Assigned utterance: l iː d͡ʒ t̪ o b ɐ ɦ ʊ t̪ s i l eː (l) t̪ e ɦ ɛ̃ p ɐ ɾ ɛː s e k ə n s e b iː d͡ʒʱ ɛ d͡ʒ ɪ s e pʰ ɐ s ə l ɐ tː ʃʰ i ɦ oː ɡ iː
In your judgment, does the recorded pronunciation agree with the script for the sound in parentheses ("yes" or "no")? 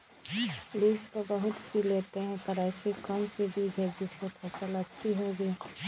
no